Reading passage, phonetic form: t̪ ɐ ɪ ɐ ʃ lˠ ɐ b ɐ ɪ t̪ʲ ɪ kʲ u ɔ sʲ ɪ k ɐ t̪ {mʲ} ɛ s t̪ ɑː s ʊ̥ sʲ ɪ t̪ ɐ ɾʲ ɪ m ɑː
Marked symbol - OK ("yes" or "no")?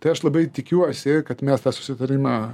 yes